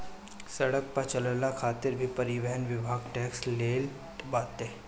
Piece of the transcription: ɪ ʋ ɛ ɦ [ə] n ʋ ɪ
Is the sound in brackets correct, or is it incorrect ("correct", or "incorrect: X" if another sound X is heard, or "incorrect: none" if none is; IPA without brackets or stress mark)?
correct